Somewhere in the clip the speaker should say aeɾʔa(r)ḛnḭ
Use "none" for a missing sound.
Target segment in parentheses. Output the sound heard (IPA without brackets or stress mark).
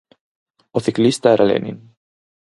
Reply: l